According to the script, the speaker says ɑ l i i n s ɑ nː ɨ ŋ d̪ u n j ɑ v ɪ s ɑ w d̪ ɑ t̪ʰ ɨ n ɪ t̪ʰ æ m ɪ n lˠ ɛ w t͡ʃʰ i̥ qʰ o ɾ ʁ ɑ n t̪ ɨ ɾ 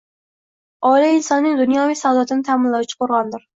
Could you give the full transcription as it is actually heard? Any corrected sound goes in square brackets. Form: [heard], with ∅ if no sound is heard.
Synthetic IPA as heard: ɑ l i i n s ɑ nː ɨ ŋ d̪ u n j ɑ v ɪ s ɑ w d̪ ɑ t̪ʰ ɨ n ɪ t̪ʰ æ m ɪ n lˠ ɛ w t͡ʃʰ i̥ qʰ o ɾ ʁ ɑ n [d̪] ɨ ɾ

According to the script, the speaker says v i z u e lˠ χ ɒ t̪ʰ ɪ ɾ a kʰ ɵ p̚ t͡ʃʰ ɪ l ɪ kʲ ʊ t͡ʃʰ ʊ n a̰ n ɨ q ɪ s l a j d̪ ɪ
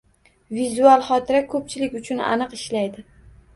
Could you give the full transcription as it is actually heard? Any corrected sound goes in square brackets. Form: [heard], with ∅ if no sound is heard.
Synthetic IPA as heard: v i z u [a] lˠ χ ɒ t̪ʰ ɪ ɾ a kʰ ɵ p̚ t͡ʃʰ ɪ l ɪ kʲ ʊ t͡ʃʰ ʊ n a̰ n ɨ q ɪ [ʃ] l a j d̪ ɪ

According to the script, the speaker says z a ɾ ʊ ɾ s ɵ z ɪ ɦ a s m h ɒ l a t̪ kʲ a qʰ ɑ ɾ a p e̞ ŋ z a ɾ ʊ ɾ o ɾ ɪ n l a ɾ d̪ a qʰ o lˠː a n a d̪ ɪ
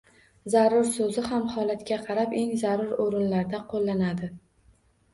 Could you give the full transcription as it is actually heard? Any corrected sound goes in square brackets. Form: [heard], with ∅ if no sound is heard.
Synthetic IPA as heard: z a ɾ ʊ ɾ s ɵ z ɪ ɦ a [∅] m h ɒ l a t̪ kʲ a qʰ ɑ ɾ a p e̞ ŋ z a ɾ ʊ ɾ o ɾ ɪ n l a ɾ d̪ a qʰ o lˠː a n a d̪ ɪ

